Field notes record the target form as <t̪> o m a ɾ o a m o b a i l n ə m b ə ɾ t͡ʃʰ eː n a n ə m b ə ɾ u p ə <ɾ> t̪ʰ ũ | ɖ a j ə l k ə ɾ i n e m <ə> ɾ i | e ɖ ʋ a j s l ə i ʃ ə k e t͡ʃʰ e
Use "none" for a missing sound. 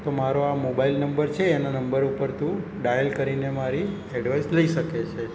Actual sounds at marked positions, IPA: t̪, ɾ, a

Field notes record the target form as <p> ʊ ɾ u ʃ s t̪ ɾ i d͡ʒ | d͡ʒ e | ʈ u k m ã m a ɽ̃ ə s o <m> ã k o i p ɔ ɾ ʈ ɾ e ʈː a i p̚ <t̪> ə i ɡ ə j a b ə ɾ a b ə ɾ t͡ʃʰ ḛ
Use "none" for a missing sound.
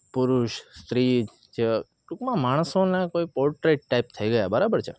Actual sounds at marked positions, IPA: p, n, t̪ʰ

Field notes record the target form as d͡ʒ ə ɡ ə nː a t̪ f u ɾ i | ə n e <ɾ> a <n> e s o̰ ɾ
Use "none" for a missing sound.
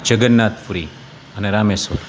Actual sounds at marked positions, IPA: ɾ, m

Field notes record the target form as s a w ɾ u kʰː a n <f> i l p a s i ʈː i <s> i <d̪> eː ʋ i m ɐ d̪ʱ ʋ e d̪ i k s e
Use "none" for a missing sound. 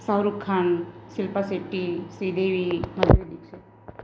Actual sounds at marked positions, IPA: s, s, d̪

